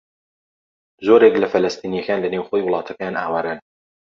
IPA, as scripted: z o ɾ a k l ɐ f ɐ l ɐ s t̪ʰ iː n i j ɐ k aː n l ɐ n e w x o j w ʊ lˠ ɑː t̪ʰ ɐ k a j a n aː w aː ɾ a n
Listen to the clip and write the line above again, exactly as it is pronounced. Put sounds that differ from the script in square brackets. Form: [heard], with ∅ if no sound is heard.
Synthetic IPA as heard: z o ɾ [e] k l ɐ f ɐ l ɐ s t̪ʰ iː n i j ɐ k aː n l ɐ n e w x o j w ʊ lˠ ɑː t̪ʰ ɐ k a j a n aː w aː ɾ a n